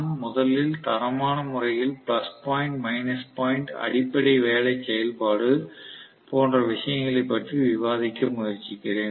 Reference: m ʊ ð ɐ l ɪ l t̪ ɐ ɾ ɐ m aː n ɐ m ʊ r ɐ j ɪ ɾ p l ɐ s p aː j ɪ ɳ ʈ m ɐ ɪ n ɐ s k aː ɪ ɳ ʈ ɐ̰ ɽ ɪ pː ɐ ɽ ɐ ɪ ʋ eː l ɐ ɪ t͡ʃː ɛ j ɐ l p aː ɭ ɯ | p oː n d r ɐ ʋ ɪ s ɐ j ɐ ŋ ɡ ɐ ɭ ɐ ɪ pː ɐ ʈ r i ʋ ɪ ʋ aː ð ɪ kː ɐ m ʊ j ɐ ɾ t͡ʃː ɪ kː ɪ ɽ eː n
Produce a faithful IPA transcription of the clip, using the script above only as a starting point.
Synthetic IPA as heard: m ʊ ð ɐ l ɪ l t̪ ɐ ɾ ɐ m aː n ɐ m ʊ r ɐ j ɪ l p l ɐ s p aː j ɪ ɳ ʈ m ɐ ɪ n ɐ s p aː ɪ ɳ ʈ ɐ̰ ɽ ɪ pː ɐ ɽ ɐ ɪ ʋ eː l ɐ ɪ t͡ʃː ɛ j ɐ l p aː ɽ ɯ | p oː n d r ɐ ʋ ɪ ʂ ɐ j ɐ ŋ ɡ ɐ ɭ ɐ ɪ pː ɐ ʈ r i ʋ ɪ ʋ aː ð ɪ kː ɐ m ʊ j ɐ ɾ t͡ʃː ɪ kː ɪ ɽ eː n